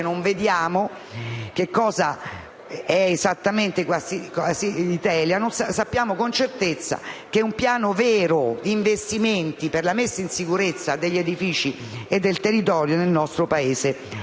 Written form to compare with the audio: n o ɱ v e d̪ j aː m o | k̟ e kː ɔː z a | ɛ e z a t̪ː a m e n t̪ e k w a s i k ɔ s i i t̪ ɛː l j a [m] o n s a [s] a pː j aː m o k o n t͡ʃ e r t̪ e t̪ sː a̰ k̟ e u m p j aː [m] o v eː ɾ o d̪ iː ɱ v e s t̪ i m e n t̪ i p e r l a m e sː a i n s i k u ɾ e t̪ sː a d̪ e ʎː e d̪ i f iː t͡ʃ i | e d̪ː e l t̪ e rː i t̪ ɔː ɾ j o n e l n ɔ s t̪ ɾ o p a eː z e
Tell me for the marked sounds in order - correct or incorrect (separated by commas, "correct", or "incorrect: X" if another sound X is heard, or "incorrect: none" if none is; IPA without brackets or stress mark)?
incorrect: n, correct, incorrect: n